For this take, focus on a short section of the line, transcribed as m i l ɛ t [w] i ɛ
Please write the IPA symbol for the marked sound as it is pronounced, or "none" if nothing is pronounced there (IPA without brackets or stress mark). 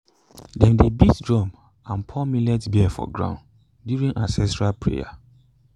b